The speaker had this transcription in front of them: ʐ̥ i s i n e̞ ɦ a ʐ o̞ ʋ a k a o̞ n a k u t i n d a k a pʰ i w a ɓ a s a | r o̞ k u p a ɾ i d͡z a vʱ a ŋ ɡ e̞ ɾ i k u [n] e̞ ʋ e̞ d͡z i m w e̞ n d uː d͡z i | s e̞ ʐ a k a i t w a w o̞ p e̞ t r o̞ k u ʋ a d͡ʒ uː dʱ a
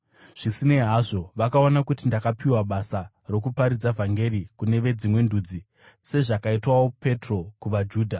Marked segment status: correct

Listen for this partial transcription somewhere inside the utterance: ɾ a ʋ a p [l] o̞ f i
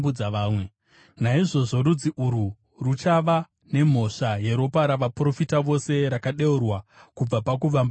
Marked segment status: incorrect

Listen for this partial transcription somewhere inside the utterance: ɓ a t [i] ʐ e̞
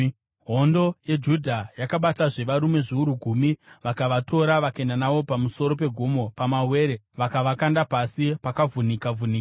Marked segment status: incorrect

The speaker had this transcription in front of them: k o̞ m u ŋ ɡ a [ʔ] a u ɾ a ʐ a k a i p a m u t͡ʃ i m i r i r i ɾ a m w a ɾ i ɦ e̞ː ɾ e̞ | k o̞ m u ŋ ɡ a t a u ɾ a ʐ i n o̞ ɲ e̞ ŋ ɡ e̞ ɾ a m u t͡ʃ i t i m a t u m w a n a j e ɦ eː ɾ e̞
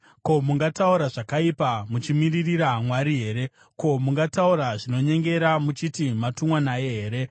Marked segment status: incorrect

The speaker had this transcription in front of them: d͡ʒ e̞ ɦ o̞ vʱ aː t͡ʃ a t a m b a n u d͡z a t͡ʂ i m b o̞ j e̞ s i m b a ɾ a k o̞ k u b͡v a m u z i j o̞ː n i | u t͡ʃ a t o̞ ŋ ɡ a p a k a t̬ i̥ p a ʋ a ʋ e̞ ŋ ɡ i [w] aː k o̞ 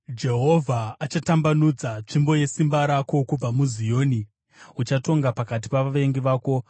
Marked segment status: incorrect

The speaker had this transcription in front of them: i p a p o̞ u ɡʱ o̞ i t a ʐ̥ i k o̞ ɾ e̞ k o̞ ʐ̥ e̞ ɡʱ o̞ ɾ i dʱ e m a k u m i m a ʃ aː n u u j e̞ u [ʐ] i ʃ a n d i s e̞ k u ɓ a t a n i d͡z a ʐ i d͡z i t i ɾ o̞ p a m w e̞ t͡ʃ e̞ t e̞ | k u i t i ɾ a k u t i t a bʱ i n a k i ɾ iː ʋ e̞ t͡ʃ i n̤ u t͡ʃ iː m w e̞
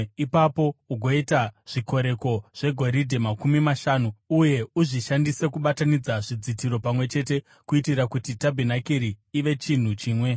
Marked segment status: correct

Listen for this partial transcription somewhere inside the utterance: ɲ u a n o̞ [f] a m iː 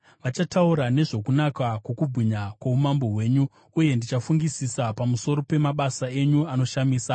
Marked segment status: incorrect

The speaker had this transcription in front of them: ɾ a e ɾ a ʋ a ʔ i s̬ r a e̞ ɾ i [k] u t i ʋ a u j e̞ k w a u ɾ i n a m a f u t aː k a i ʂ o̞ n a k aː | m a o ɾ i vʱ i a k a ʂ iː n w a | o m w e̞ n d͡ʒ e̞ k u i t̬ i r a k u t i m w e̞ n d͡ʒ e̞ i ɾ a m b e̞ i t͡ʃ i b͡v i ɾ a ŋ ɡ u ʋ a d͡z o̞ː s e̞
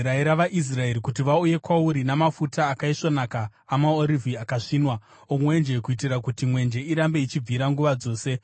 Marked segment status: correct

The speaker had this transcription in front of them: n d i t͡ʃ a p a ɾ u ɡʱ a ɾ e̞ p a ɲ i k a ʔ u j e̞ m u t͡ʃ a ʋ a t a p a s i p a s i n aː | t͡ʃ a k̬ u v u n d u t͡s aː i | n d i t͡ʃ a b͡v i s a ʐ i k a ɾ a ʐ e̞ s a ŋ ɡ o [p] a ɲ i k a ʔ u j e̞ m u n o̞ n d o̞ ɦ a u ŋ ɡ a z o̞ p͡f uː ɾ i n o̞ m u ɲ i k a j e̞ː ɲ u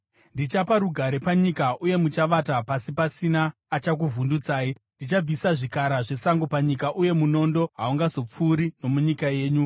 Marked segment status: correct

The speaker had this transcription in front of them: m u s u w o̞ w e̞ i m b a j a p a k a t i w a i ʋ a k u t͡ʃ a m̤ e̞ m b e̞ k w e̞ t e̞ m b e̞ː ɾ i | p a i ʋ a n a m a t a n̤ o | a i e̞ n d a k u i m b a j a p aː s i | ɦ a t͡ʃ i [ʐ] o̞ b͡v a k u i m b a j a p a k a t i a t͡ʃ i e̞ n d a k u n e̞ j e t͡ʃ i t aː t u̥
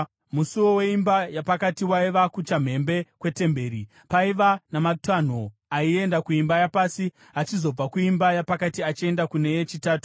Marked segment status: incorrect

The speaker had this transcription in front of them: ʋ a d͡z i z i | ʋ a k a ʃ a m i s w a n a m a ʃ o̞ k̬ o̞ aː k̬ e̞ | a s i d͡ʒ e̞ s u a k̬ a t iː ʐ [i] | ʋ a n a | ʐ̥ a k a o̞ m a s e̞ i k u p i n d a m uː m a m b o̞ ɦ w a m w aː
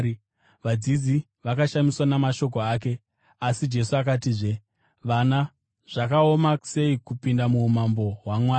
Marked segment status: incorrect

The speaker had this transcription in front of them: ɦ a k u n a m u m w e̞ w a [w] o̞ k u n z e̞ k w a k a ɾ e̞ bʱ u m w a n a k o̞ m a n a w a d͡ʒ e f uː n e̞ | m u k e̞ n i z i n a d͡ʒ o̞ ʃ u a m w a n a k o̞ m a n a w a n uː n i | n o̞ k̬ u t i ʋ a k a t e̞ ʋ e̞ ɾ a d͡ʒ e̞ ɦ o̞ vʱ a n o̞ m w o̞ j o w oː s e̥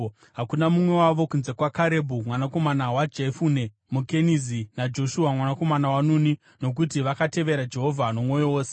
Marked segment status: incorrect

